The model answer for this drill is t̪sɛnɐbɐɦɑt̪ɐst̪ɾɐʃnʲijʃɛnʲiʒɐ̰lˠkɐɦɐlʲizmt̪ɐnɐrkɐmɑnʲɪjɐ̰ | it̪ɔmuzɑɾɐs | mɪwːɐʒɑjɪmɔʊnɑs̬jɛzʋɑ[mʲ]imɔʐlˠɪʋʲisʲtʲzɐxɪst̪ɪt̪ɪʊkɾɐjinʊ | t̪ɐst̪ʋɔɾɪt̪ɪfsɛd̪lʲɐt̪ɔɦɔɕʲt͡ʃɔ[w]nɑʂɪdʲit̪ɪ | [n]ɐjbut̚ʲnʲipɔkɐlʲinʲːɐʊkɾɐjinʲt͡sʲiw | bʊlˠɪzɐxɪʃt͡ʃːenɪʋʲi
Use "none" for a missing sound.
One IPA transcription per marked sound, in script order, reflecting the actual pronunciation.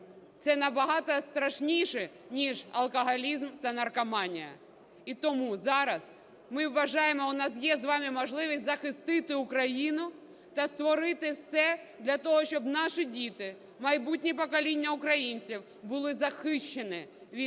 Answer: mʲ, b, m

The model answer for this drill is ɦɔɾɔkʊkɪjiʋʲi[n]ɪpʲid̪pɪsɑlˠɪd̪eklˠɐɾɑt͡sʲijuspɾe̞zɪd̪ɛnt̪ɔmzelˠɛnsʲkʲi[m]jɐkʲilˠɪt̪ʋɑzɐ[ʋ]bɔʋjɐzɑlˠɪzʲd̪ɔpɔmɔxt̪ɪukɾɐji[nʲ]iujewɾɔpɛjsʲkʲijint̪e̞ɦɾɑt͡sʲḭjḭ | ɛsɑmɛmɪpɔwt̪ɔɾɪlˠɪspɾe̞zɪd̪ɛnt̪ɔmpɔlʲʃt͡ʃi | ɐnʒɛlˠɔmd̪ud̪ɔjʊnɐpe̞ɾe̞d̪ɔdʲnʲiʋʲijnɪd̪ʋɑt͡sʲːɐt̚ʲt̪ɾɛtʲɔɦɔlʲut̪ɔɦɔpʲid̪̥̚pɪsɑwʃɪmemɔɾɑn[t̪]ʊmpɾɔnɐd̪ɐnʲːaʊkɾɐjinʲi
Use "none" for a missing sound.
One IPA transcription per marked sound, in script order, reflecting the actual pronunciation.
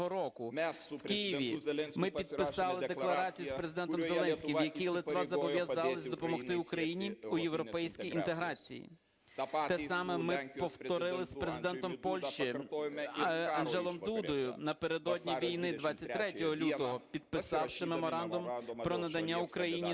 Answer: m, m, ʋ, nʲ, d̪

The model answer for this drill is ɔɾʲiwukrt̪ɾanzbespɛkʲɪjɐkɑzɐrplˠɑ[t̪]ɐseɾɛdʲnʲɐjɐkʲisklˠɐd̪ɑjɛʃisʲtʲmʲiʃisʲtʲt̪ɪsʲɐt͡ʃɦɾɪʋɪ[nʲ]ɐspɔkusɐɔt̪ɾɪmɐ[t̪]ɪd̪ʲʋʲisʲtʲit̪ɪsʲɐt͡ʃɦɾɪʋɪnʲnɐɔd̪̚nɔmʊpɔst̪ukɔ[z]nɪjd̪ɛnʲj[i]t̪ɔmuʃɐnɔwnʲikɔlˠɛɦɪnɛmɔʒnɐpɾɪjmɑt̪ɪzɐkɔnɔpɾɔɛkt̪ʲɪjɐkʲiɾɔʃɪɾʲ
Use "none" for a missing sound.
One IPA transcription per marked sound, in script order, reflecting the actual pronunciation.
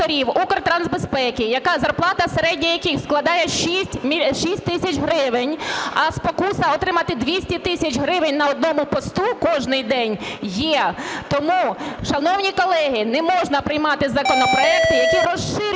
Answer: t̪, nʲ, t̪, ʒ, ɛ

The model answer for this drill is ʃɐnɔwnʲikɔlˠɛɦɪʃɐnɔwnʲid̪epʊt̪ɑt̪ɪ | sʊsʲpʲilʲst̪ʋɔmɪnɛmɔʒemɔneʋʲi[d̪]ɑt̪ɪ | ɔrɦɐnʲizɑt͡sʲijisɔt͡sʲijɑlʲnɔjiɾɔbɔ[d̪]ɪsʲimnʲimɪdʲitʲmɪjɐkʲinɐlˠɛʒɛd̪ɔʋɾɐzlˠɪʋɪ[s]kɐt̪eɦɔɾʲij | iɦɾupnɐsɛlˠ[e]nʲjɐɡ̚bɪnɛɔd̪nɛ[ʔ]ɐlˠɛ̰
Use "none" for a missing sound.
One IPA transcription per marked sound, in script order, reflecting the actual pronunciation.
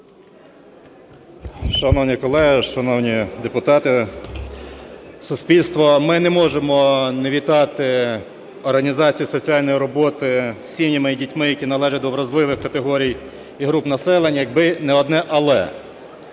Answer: t̪, t̪, x, e, ʔ

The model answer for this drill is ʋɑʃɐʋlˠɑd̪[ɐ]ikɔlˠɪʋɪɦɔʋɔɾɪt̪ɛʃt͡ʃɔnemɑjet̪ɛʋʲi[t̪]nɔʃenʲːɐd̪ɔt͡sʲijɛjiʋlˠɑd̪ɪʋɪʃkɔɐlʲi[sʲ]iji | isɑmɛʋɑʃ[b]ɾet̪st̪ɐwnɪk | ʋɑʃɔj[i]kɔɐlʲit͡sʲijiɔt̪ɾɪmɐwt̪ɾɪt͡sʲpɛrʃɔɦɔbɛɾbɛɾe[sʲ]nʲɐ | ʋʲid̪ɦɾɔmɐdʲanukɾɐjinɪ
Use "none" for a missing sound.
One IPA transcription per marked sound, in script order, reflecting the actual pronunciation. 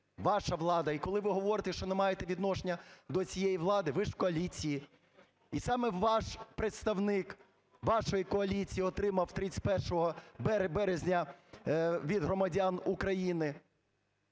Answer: ɐ, d̪, t͡sʲ, p, i, zʲ

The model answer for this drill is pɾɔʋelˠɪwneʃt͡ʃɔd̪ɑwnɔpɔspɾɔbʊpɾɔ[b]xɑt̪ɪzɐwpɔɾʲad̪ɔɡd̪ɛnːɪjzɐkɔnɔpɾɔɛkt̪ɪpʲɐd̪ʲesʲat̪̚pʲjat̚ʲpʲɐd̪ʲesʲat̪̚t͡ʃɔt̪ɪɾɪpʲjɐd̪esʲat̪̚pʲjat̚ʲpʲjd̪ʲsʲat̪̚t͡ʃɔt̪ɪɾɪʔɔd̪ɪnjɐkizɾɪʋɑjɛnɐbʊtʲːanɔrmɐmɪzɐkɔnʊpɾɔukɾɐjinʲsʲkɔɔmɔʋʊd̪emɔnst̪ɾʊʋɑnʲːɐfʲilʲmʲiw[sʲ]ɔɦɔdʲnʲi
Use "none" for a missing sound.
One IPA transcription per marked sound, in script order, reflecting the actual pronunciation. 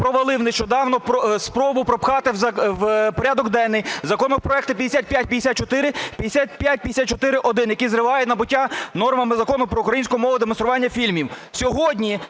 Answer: p, sʲ

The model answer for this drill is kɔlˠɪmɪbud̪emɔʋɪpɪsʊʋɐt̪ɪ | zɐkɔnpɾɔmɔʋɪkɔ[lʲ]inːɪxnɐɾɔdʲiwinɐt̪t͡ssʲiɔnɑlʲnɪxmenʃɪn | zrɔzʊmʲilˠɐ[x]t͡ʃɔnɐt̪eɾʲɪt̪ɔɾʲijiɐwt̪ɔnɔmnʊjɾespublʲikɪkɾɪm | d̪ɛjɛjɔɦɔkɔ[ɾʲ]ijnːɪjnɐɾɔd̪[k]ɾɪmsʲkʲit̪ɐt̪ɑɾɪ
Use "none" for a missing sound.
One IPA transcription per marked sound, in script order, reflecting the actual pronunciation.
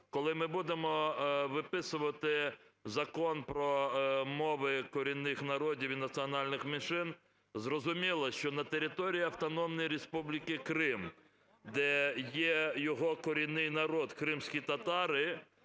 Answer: ɾʲ, ʃ, ɾʲ, k

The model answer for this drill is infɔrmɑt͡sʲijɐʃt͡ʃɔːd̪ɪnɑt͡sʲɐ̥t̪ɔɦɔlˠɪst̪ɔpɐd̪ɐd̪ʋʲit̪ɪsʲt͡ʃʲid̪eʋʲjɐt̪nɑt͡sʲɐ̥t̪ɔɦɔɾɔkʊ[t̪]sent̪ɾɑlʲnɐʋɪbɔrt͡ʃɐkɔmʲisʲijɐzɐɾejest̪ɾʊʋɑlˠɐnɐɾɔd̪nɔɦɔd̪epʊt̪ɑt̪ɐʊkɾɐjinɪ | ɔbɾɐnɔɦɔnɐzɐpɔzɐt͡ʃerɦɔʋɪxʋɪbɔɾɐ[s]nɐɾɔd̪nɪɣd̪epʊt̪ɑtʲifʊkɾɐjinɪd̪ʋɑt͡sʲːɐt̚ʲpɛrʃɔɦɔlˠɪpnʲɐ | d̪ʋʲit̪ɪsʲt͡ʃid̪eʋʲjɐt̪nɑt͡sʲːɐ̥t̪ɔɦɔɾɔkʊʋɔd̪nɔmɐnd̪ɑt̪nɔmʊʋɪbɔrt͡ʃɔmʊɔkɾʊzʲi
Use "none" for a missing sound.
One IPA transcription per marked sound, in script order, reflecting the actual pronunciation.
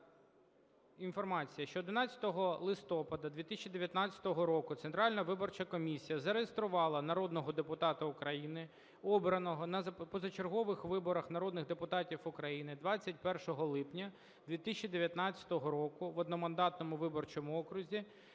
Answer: t̪, x

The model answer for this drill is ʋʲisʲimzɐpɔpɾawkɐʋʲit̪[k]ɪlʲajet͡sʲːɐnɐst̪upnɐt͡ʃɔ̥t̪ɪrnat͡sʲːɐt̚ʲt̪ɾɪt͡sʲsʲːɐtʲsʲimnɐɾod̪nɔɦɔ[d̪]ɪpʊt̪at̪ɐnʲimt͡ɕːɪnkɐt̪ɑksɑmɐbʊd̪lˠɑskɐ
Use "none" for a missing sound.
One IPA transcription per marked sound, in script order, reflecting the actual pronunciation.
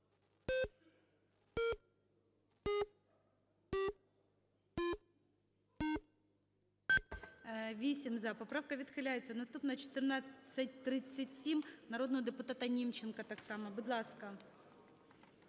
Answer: x, d̪

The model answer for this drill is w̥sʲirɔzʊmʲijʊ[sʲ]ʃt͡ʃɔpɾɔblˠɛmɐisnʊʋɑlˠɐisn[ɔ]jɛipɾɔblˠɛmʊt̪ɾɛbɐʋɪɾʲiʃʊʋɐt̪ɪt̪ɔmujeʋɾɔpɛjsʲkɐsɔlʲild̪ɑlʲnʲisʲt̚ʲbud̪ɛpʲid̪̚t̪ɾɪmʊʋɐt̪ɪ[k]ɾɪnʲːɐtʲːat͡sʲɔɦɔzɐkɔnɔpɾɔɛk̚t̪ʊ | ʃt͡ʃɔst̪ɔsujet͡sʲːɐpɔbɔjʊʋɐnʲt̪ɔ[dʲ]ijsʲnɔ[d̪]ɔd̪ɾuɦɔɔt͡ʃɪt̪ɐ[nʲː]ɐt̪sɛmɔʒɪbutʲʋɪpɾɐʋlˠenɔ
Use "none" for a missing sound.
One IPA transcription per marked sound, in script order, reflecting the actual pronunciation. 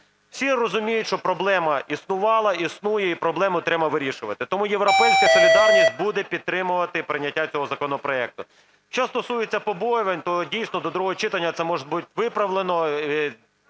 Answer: tʲ, u, p, dʲ, d̪, nʲː

